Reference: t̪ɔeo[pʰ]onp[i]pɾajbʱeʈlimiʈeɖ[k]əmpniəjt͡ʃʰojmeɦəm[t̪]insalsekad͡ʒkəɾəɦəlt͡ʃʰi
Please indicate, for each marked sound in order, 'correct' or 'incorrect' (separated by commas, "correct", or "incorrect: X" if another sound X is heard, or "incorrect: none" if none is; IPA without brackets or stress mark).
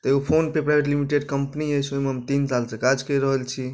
correct, incorrect: e, correct, correct